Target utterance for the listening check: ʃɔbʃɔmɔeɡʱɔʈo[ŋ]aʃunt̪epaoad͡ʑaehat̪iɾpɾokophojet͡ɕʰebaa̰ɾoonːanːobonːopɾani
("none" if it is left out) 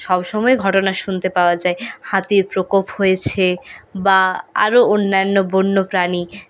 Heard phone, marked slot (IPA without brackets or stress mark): n